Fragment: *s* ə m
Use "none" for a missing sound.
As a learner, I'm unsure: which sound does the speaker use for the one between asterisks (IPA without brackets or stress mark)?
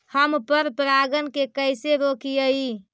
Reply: h